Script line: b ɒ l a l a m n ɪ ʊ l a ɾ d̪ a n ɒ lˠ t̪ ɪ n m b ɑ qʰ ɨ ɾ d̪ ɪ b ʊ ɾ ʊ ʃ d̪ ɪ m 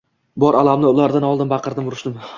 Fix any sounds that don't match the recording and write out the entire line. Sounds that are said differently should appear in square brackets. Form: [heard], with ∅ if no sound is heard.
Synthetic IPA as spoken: b ɒ [ɾ] a l a m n ɪ ʊ l a ɾ d̪ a n ɒ lˠ [d̪] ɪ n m b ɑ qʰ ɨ ɾ d̪ ɪ [m] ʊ ɾ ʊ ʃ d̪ ɪ m